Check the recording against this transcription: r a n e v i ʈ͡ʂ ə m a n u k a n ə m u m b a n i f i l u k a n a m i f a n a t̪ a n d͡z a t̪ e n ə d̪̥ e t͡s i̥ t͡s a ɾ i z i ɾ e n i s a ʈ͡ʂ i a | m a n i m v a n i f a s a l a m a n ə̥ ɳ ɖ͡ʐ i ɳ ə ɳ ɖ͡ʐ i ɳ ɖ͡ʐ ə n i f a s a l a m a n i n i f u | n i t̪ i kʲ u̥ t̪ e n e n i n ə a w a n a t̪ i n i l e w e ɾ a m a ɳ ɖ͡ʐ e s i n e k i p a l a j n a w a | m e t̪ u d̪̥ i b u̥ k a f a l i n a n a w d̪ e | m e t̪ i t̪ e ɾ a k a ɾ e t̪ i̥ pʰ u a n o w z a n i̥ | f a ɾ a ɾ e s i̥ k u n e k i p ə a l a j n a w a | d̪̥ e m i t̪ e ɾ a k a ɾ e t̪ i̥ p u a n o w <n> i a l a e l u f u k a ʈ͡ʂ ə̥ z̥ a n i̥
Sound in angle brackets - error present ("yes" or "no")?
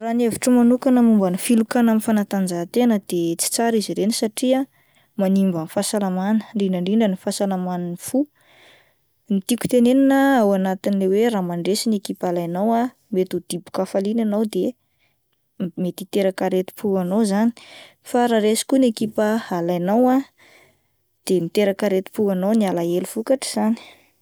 no